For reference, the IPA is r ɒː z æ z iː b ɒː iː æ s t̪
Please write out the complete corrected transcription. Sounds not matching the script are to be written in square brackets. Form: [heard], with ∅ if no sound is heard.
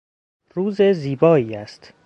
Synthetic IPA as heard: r [uː] z [e] z iː b ɒː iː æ s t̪